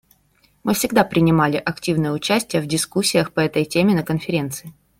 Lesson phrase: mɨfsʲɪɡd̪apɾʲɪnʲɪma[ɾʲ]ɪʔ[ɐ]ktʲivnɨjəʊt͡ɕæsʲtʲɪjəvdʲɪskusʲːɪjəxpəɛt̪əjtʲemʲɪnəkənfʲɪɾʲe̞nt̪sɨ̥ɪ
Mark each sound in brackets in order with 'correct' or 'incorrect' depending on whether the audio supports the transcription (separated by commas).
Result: incorrect, correct